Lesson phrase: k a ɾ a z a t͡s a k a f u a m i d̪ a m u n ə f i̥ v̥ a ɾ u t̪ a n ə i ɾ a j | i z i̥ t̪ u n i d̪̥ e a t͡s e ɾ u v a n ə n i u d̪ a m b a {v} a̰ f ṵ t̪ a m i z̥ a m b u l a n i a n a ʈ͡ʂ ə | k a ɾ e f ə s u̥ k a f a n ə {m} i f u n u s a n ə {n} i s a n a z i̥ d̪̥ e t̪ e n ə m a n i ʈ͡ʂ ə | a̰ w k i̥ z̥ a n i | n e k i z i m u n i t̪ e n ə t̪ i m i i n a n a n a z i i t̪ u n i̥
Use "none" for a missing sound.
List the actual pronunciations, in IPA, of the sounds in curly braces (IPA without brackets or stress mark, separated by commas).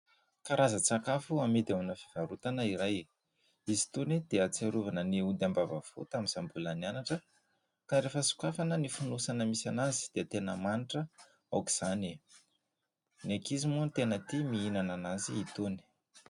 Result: v, n, m